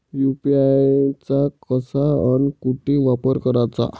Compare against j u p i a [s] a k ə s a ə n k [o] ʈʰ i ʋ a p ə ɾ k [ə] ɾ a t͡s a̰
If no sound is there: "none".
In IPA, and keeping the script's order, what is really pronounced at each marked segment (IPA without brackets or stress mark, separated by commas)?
t͡s, u, ə